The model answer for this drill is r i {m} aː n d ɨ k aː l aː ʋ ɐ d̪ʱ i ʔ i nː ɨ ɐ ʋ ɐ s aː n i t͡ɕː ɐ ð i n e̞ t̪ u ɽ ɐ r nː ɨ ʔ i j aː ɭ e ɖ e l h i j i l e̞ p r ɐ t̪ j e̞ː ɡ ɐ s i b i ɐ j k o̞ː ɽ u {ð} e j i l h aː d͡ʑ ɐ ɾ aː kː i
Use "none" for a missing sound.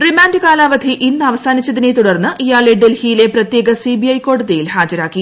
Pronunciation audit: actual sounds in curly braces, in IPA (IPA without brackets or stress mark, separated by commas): m, ð